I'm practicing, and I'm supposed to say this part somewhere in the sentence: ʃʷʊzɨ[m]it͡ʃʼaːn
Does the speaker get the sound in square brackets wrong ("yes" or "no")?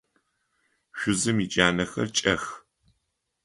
no